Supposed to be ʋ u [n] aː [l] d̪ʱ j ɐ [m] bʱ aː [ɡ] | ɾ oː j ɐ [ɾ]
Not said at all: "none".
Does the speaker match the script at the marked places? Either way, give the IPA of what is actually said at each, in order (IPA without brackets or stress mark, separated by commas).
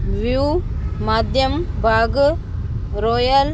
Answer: m, none, m, ɡ, l